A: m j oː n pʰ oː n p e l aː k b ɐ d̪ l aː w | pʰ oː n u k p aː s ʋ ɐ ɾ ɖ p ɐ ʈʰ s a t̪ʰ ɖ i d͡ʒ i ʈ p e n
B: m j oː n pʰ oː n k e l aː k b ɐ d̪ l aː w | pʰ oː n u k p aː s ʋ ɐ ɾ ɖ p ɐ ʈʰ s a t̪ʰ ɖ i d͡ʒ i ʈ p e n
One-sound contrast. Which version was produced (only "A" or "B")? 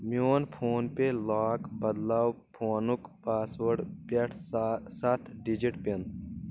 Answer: A